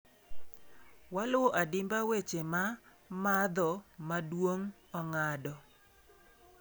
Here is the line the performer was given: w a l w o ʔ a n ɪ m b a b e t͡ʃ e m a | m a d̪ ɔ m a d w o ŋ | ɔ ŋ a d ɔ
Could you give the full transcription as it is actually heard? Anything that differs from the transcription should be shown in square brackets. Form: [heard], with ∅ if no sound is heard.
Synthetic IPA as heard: w a l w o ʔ a [d] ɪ m b a [w] e t͡ʃ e m a | m a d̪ ɔ m a d w o ŋ | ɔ ŋ a d ɔ